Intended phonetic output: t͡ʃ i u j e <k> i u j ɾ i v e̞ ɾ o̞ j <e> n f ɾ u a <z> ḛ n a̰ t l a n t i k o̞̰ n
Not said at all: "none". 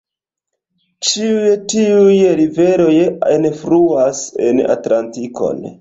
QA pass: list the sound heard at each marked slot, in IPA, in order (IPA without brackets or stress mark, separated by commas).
t, e, s